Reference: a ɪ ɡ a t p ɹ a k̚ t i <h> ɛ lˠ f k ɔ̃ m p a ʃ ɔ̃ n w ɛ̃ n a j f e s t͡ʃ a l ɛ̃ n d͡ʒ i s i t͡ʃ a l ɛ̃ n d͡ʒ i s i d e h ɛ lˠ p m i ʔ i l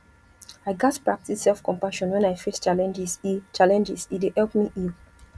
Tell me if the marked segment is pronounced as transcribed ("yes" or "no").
no